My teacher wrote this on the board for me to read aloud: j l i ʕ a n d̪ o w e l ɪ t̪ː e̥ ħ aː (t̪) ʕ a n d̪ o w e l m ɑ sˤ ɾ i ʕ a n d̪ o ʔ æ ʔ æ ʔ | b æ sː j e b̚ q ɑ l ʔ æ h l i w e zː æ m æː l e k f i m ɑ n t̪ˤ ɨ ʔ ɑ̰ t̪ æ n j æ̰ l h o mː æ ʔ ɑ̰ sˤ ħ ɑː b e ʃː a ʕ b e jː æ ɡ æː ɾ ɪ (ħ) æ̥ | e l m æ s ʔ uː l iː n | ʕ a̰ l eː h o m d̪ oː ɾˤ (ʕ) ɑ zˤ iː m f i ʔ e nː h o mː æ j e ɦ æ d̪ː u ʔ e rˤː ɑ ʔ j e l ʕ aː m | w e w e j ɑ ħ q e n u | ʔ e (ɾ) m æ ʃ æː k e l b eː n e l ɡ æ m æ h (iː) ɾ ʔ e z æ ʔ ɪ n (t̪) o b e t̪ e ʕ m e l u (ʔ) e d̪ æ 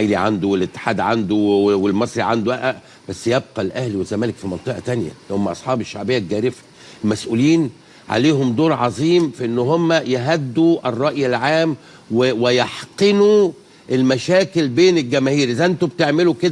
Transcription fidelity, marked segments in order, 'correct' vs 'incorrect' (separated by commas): incorrect, incorrect, correct, incorrect, correct, correct, incorrect